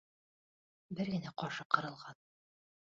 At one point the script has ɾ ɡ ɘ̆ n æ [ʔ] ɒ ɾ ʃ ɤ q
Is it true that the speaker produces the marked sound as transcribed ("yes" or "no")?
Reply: no